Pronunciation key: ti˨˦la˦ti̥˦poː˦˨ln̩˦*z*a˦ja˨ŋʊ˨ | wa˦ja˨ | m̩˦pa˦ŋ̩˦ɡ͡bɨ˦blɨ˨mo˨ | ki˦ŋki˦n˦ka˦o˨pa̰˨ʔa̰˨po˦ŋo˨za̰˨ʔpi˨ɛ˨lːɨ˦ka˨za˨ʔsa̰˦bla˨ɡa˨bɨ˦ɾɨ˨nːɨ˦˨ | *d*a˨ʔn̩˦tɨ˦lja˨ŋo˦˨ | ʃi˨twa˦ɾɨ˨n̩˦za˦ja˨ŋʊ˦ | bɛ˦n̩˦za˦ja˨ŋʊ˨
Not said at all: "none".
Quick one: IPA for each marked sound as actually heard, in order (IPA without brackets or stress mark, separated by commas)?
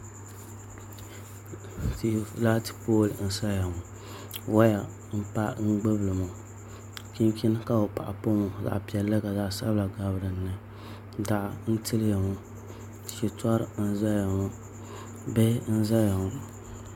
s, d